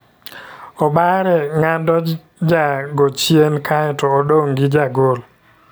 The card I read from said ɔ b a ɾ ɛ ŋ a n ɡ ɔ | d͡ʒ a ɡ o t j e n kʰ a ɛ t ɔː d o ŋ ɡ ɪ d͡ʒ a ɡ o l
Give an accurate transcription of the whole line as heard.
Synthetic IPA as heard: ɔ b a ɾ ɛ ŋ a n d ɔ | d͡ʒ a ɡ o t͡ʃ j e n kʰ a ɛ t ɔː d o ŋ ɡ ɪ d͡ʒ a ɡ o l